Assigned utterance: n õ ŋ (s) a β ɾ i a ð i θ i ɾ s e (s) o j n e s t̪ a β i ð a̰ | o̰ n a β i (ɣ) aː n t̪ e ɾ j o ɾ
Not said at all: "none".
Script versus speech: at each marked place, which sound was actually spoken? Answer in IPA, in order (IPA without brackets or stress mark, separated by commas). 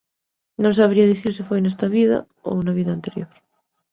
s, f, ð